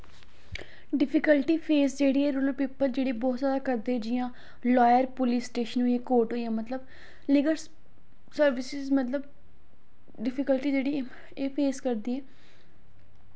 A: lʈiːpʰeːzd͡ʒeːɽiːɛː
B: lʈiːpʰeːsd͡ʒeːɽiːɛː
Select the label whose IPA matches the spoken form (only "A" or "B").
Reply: B